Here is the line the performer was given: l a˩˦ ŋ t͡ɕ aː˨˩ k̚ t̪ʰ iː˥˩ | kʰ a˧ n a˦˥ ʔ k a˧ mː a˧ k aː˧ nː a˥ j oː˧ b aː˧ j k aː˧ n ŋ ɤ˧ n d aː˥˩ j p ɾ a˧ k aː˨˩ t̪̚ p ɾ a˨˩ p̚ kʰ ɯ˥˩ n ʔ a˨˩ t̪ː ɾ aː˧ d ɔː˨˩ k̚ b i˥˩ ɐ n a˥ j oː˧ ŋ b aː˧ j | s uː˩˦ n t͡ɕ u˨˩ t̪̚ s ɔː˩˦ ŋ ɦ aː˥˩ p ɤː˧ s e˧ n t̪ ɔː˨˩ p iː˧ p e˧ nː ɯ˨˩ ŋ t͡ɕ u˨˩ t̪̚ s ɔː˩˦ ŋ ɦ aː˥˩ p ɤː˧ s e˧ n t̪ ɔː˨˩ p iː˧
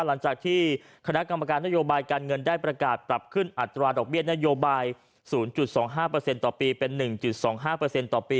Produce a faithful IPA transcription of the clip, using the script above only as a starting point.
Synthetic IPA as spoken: l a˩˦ ŋ t͡ɕ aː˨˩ k̚ t̪ʰ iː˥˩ | kʰ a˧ n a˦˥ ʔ k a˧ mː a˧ k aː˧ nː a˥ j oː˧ b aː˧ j k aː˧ n ŋ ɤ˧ n d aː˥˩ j p ɾ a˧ k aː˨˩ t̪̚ p ɾ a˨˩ p̚ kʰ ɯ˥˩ n ʔ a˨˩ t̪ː ɾ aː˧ d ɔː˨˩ k̚ b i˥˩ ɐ n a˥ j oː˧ b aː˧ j | s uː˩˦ n t͡ɕ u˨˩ t̪̚ s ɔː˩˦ ŋ ɦ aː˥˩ p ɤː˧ s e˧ n t̪ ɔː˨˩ p iː˧ p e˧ nː ɯ˨˩ ŋ t͡ɕ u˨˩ t̪̚ s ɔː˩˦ ŋ ɦ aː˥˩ p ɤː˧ s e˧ n t̪ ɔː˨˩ p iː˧